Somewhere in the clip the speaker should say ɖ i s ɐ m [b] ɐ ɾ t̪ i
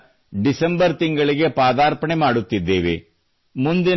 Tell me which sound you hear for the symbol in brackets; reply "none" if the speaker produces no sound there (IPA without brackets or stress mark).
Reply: b